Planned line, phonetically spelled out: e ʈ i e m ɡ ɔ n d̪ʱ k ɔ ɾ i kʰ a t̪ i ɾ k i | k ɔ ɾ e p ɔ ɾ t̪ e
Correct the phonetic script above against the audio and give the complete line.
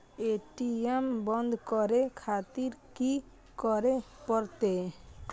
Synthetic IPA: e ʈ i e m b ɔ n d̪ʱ k ɔ ɾ e kʰ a t̪ i ɾ k i | k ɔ ɾ e p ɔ ɾ t̪ e